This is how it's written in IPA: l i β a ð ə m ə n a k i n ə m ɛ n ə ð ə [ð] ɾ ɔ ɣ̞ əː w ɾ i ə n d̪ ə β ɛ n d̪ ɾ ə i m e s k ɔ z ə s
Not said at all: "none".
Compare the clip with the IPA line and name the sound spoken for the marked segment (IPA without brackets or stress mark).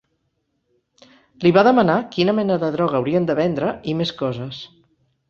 ð